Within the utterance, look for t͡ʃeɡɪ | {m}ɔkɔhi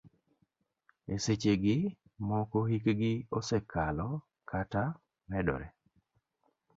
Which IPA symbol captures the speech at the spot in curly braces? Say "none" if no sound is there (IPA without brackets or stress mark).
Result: m